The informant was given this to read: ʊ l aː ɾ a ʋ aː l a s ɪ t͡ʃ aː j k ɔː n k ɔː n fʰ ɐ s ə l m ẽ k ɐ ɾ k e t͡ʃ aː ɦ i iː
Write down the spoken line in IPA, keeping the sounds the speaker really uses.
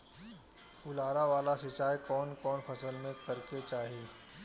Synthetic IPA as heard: ʊ l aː ɾ a ʋ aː l a s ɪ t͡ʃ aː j k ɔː n k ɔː n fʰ ɐ s ə l m ẽ k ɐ ɾ k e t͡ʃ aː ɦ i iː